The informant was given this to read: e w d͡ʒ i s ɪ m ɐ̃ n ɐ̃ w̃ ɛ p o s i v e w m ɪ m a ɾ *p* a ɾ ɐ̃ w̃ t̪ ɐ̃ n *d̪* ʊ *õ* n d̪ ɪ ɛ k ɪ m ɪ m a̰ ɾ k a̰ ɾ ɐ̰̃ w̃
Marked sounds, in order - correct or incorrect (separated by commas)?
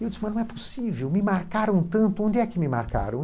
incorrect, incorrect, correct